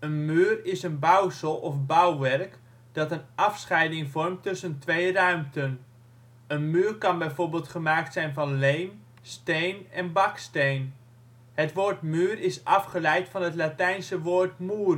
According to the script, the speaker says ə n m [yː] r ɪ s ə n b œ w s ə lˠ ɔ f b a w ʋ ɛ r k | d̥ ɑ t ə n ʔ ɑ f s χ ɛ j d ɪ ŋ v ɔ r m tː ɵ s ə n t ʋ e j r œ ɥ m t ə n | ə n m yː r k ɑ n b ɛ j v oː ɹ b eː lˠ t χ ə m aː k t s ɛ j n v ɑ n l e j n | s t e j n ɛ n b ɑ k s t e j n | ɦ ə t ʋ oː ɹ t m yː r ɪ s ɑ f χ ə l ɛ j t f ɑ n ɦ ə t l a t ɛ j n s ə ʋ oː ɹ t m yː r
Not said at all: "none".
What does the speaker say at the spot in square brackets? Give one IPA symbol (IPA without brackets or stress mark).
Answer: yː